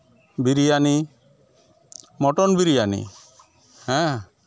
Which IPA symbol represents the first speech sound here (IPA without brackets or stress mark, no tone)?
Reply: b